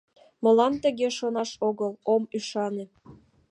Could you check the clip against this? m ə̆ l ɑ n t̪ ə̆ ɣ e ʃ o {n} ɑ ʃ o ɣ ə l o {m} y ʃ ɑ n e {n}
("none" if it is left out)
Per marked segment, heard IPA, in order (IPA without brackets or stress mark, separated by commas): n, m, none